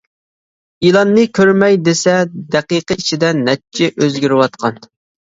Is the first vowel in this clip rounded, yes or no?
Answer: no